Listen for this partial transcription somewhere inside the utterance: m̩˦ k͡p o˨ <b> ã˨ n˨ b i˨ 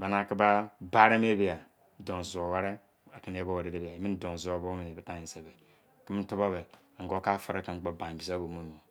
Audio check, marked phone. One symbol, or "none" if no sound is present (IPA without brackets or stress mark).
b